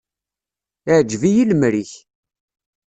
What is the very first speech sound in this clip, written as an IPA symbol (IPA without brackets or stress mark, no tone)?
ʕ